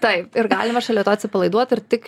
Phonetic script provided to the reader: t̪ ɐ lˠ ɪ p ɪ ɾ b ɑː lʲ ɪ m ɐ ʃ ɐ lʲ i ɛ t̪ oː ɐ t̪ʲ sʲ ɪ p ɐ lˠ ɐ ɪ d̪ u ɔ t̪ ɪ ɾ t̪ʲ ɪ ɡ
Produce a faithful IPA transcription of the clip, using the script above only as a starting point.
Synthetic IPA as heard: t̪ ɐ ɪ p ɪ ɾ ɡ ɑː lʲ ɪ m ɐ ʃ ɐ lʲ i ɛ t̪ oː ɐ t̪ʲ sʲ ɪ p ɐ lˠ ɐ ɪ d̪ u ɔ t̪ ɪ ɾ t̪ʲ ɪ k